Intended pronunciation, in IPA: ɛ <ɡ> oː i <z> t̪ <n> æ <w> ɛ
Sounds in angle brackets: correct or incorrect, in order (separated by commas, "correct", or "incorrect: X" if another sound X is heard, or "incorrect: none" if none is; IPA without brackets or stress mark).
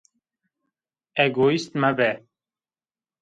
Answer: correct, incorrect: s, incorrect: m, incorrect: b